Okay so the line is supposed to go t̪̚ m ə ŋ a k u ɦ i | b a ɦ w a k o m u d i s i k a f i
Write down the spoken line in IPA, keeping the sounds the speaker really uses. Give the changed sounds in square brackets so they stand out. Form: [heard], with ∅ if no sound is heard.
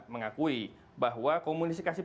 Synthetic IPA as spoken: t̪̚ m ə ŋ a k u [∅] i | b a ɦ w a k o m u [n] i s i k a [s] i